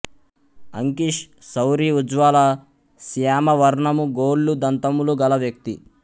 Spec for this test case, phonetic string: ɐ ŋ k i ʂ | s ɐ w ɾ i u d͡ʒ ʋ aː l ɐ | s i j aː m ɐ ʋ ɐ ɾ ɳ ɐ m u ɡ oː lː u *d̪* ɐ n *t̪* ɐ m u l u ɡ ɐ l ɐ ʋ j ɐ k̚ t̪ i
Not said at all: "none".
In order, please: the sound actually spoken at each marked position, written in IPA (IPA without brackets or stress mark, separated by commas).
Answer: d̪, t̪